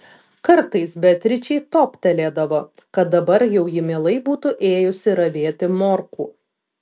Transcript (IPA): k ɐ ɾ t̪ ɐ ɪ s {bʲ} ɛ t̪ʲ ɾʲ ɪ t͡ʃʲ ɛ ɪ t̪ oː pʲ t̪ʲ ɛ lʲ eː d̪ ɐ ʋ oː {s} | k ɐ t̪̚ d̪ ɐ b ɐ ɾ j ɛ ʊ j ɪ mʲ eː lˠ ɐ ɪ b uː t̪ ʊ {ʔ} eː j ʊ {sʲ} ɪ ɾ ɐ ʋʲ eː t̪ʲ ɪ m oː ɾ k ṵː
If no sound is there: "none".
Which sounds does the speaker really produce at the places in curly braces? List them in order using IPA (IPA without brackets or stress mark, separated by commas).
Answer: bʲ, none, ʔ, sʲ